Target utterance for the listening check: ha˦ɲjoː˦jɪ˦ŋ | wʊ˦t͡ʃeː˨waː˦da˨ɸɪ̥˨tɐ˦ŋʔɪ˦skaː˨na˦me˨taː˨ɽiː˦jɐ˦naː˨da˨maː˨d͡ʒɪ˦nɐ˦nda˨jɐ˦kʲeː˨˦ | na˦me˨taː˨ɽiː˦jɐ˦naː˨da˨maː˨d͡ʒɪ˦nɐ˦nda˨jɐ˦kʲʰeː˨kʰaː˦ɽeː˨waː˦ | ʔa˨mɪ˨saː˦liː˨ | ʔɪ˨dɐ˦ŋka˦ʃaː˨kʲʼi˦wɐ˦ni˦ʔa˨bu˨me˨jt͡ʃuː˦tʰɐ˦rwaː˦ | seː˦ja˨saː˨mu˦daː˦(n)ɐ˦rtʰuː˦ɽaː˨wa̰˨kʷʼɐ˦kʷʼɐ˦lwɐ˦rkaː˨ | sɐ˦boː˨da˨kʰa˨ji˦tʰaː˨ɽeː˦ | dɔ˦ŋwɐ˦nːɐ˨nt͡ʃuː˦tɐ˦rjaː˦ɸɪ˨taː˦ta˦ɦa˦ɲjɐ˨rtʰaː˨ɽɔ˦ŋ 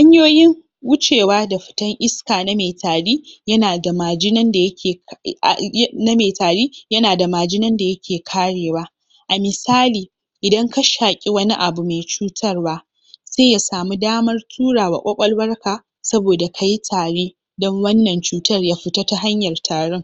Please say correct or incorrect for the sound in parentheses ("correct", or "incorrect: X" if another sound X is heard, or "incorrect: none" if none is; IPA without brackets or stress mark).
incorrect: m